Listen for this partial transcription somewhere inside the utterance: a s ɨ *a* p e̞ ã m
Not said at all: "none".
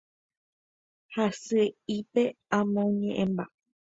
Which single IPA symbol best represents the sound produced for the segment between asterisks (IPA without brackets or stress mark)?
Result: i